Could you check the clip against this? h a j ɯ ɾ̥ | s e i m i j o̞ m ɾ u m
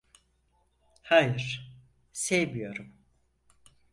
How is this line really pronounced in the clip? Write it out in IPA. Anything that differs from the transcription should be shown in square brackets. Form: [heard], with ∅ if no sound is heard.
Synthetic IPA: h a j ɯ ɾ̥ | s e [j] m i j o̞ [∅] ɾ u m